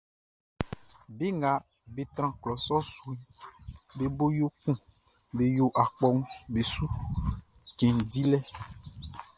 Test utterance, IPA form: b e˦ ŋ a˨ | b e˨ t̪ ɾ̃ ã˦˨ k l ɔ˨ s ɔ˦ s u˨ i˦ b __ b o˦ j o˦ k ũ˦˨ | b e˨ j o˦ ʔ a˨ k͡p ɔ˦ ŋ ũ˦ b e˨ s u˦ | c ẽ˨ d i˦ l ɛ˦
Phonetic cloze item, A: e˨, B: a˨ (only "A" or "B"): A